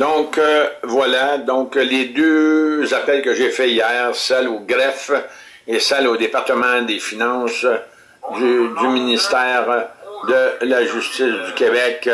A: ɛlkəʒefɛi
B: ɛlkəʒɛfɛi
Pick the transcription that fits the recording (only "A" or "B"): A